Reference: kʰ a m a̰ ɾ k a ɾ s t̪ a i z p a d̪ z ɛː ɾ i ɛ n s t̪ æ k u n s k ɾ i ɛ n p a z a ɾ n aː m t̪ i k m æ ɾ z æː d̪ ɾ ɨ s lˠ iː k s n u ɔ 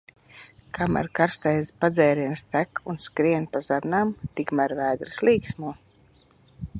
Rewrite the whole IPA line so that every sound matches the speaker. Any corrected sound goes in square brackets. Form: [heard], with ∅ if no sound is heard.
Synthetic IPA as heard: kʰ a m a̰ ɾ k a ɾ s t̪ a [j] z p a d̪ z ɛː ɾ i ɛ n s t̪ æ k u n s k ɾ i ɛ n p a z a ɾ n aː m t̪ i k m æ ɾ [v] æː d̪ ɾ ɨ s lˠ iː k s [m] u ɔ